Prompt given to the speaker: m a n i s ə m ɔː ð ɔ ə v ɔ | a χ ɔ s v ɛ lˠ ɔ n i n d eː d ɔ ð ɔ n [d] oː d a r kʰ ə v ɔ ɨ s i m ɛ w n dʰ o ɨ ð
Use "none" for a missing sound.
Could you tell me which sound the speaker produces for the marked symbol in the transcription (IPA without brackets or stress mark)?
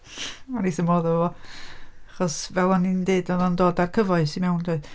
d